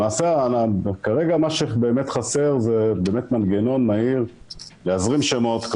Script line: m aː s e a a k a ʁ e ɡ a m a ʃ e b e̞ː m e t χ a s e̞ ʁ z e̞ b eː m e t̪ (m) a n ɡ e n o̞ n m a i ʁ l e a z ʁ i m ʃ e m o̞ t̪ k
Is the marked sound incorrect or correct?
correct